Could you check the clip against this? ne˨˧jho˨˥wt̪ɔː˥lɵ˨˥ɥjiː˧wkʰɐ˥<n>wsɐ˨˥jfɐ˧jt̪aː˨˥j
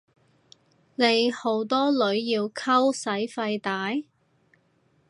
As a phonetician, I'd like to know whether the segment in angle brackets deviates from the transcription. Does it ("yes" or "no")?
yes